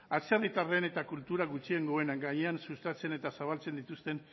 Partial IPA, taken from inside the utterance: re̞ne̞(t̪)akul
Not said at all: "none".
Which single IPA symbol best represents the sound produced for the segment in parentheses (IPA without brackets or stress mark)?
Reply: t̪